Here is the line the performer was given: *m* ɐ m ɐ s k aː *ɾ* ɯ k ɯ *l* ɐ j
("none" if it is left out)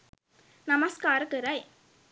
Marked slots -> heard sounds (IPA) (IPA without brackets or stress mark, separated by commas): n, ɾ, ɾ